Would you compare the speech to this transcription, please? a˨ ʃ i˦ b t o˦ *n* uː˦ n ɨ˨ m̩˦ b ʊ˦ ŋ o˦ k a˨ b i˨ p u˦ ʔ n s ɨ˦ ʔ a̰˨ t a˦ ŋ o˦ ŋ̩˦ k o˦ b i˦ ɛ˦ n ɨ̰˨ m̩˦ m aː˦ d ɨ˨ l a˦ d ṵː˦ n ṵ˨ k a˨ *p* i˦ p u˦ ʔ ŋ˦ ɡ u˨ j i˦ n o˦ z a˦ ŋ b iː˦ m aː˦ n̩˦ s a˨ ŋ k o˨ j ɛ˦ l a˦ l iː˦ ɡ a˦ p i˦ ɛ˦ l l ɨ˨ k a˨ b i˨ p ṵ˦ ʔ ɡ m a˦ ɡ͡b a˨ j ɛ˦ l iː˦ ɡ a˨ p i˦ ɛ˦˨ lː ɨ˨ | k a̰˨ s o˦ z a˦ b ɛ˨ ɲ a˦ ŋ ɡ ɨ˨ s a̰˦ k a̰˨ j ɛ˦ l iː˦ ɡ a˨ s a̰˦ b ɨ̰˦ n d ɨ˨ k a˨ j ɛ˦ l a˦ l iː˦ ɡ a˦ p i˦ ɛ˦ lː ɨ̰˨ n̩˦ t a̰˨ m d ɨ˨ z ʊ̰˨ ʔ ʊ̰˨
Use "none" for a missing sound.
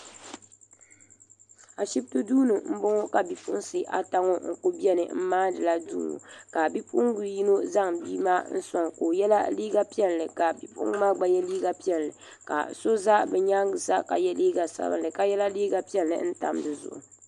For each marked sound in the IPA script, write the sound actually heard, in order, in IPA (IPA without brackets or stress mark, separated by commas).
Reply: d, b